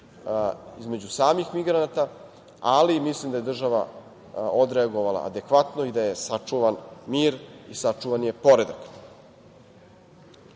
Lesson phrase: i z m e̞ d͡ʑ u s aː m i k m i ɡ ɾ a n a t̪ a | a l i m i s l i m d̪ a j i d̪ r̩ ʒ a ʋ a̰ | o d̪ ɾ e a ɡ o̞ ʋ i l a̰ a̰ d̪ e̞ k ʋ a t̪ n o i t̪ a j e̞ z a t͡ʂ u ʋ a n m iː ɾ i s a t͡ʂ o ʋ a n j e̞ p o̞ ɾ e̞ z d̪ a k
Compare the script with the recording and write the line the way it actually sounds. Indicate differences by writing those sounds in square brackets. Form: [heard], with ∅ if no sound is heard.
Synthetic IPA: i z m e̞ d͡ʑ u s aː m i [x] m i ɡ ɾ a n a t̪ a | a l i m i s l i m d̪ a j [e] d̪ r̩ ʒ a ʋ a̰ | o d̪ ɾ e a ɡ o̞ ʋ [a] l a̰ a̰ d̪ e̞ k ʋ a t̪ n o i [d̪] a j e̞ [s] a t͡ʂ u ʋ a n m iː ɾ i s a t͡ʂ [u] ʋ a n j e̞ p o̞ ɾ e̞ [∅] d̪ a k